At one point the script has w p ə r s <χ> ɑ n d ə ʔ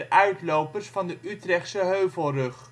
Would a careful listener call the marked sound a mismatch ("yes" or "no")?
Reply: yes